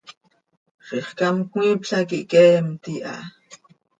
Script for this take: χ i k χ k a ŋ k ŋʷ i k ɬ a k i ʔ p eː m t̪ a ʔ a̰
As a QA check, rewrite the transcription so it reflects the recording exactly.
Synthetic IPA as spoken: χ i χ k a m k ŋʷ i p ɬ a k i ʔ k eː m t̪ i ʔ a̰

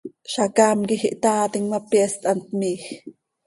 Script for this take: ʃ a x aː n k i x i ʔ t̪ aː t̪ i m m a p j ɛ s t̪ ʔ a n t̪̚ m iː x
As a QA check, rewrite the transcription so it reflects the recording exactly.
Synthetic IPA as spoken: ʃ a k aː m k i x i ʔ t̪ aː t̪ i ŋ m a p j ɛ s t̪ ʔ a n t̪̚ m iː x

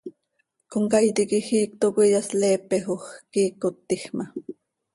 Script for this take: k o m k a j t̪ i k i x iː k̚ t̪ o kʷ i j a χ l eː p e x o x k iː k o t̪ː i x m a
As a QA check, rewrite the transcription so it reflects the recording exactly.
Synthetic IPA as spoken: k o ŋ k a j t̪ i k i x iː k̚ t̪ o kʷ i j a s l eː p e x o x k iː k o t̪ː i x m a

